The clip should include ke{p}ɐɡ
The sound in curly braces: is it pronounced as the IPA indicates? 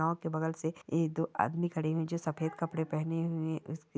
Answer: no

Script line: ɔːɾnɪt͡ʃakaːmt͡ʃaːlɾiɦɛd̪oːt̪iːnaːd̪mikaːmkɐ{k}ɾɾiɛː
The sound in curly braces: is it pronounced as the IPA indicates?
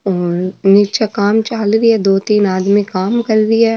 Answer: no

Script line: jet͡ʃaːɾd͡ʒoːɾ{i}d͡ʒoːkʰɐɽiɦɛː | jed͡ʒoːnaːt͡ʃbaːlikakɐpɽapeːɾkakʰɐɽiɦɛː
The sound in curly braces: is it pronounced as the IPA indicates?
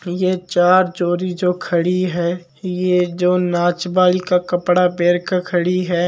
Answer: yes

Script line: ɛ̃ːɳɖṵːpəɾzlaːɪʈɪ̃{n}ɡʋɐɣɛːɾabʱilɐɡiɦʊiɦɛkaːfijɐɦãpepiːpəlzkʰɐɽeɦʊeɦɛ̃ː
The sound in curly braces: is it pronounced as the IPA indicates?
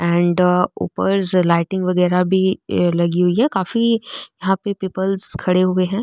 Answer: no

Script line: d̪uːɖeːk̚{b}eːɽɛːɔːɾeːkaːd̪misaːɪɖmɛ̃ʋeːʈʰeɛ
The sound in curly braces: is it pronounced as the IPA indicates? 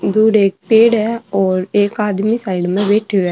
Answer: no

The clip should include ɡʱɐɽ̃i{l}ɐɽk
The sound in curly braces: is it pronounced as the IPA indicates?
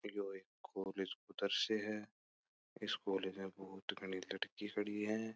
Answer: yes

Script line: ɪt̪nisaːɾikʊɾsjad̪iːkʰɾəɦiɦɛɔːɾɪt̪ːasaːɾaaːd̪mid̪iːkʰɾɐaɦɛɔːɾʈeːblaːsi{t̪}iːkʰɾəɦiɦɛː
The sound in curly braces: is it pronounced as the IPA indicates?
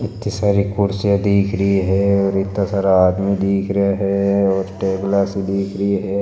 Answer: no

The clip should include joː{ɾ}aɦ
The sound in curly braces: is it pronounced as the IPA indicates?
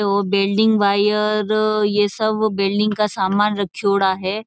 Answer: no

